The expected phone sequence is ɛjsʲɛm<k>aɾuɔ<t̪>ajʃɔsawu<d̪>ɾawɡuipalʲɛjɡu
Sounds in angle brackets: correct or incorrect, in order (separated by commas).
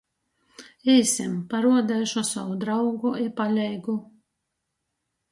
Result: incorrect, incorrect, correct